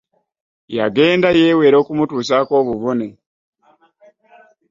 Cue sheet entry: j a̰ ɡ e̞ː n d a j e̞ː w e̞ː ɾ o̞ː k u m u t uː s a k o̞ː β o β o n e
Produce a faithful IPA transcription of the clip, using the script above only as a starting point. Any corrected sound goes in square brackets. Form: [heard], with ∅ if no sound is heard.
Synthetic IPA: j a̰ ɡ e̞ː n d a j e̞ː w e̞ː ɾ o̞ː k u m u t uː s a k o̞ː β [u] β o n e